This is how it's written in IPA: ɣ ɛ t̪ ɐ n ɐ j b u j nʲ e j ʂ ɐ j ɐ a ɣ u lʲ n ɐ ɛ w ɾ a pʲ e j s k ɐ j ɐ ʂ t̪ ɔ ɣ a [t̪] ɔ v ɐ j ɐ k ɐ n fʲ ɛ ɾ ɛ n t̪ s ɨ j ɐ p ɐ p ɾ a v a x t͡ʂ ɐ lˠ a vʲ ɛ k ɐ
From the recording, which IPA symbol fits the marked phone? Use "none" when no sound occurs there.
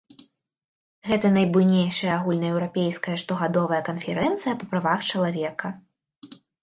d̪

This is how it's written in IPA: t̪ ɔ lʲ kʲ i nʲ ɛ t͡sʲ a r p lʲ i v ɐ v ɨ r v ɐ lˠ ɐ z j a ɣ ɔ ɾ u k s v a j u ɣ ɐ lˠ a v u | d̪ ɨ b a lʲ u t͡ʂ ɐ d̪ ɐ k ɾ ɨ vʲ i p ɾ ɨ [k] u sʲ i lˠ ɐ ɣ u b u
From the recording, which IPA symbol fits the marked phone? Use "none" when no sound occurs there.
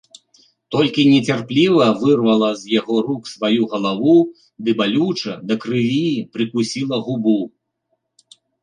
k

